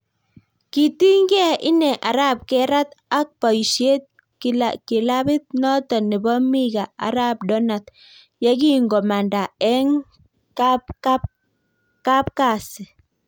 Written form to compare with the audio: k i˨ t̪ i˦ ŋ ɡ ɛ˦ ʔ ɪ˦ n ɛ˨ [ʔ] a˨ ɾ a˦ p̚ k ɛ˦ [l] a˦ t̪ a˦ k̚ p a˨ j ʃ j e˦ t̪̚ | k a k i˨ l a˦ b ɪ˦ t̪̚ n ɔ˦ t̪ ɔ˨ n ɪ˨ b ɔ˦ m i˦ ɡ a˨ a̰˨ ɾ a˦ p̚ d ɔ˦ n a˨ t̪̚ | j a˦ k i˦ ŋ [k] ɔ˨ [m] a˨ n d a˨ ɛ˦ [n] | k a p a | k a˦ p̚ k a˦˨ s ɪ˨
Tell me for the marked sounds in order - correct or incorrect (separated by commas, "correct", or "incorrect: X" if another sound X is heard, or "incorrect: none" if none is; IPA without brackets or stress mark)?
correct, incorrect: ɾ, incorrect: ɡ, correct, incorrect: ŋ